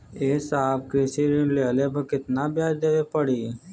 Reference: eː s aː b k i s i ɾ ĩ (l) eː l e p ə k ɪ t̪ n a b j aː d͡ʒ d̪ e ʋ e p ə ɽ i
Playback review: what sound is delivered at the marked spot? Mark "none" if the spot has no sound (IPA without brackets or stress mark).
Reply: l